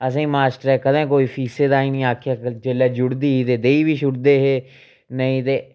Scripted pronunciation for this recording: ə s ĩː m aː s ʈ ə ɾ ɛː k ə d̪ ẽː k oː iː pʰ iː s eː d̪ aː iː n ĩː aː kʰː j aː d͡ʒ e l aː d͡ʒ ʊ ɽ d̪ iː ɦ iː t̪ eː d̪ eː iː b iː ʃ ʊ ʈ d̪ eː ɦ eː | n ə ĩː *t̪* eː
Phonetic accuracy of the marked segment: correct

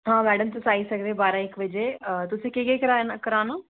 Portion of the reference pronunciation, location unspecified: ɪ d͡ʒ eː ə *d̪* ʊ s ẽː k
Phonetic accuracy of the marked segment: incorrect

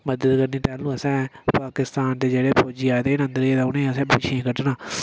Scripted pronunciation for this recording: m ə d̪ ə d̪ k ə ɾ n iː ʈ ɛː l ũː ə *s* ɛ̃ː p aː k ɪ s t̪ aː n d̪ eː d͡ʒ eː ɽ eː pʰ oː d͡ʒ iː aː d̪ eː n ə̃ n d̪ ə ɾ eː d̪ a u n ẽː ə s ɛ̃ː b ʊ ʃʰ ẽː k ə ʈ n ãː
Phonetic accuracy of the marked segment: correct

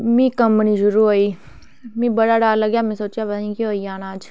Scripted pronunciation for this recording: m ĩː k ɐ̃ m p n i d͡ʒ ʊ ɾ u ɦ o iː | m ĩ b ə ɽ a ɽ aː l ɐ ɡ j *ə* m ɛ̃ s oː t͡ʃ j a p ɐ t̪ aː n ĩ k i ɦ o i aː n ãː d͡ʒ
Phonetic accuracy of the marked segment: incorrect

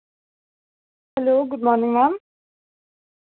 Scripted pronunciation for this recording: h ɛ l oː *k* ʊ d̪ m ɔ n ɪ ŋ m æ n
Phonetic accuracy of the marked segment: incorrect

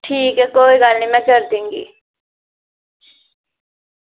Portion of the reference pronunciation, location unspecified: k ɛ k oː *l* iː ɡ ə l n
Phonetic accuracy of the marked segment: incorrect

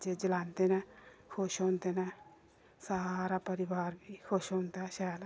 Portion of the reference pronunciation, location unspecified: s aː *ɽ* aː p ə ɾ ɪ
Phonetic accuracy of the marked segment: incorrect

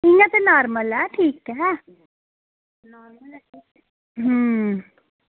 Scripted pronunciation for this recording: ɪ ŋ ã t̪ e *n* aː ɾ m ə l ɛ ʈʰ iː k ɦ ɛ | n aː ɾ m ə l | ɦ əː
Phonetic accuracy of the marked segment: correct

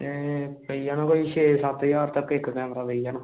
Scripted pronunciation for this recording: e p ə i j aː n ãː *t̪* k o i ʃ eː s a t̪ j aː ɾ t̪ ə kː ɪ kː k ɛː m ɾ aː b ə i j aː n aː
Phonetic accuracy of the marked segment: incorrect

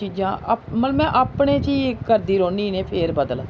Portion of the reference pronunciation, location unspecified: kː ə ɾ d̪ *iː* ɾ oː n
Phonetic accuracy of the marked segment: correct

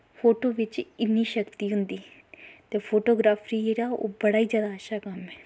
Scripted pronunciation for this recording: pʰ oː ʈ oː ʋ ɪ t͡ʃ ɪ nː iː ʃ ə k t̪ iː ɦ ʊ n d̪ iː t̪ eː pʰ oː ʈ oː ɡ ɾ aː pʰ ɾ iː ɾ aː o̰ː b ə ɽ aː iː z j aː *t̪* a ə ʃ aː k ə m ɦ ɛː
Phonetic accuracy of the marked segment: incorrect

